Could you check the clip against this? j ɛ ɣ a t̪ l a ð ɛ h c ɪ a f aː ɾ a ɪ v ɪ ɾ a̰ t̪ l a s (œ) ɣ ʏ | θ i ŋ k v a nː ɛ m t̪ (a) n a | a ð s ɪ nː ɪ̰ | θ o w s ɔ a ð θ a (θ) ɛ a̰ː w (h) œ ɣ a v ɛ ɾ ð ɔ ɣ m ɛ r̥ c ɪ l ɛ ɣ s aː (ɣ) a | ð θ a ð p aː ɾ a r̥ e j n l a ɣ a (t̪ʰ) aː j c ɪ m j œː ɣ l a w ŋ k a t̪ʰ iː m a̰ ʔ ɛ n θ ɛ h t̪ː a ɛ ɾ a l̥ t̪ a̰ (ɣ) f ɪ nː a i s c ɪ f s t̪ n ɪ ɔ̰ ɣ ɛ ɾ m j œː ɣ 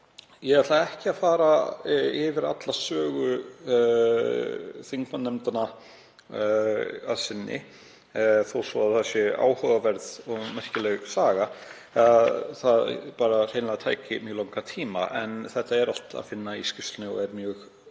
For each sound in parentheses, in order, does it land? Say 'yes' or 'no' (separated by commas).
no, yes, no, yes, yes, yes, no